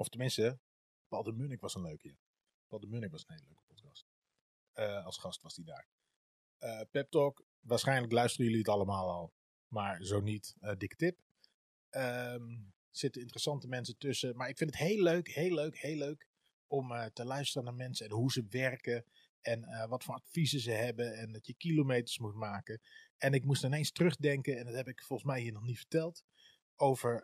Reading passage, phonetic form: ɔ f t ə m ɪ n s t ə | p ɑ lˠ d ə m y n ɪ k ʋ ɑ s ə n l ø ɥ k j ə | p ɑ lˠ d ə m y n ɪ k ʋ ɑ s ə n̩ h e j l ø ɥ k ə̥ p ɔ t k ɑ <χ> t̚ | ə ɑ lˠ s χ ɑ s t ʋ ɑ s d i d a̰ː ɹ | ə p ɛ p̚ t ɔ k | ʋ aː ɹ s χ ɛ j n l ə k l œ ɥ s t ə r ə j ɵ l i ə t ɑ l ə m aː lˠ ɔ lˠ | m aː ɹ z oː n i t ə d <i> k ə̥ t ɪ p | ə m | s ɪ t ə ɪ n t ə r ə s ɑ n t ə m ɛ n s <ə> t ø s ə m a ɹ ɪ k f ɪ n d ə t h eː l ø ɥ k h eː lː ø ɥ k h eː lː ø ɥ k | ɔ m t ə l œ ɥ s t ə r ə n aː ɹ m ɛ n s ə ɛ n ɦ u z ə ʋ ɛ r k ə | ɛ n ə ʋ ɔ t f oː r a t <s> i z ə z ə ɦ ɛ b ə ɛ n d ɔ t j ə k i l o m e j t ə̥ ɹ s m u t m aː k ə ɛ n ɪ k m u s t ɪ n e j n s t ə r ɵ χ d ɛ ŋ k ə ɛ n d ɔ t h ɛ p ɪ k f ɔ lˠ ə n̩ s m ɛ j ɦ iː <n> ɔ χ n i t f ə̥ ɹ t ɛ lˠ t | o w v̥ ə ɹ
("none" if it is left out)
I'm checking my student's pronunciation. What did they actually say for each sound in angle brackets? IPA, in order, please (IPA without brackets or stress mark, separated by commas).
s, ɪ, ə, f, n